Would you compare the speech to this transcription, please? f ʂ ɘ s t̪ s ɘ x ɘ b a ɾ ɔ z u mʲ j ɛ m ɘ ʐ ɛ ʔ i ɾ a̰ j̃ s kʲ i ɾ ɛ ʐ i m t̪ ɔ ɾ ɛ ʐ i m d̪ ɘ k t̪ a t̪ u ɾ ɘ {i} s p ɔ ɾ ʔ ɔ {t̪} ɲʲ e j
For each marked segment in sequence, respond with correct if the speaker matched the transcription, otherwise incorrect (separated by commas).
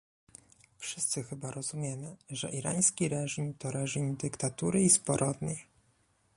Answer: correct, incorrect